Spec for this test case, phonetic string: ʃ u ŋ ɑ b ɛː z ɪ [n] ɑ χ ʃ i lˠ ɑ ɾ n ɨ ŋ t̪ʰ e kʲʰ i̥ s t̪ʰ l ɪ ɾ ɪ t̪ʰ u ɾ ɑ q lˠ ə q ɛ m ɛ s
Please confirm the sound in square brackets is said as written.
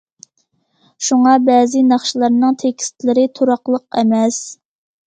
yes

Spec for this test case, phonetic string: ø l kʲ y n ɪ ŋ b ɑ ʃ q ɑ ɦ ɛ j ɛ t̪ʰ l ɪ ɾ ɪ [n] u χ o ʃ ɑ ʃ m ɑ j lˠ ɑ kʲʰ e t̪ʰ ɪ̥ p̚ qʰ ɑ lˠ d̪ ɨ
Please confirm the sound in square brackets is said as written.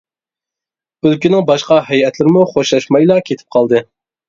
no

